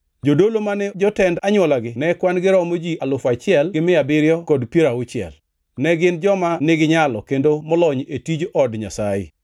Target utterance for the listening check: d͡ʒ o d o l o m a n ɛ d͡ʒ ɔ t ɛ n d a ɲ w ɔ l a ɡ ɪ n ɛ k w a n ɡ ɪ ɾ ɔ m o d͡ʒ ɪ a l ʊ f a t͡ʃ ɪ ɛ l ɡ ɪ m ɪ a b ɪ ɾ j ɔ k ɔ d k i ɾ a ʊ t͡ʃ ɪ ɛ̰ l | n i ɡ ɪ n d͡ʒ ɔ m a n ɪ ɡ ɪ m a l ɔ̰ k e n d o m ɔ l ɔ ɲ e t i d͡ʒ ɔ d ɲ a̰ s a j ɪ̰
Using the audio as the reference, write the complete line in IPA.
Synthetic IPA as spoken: d͡ʒ o d o l o m a n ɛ d͡ʒ ɔ t ɛ n d a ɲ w ɔ l a ɡ ɪ n ɛ k w a n ɡ ɪ ɾ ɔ m o d͡ʒ i a l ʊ f a t͡ʃ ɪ ɛ l ɡ ɪ m ɪ a b ɪ ɾ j ɔ k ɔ d p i ɾ a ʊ t͡ʃ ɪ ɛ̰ l | n ɛ ɡ ɪ n d͡ʒ ɔ m a n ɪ ɡ ɪ ɲ a l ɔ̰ k e n d o m ɔ l ɔ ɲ e t i d͡ʒ ɔ d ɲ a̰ s a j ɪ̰